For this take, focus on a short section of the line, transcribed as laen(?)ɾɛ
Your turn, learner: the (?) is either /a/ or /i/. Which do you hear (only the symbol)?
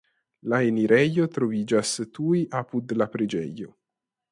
i